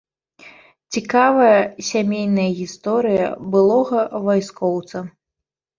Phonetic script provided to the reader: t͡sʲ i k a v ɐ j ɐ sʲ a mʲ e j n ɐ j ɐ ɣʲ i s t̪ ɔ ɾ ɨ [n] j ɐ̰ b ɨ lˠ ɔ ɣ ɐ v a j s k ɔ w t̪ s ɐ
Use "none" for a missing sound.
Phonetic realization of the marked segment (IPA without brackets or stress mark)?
none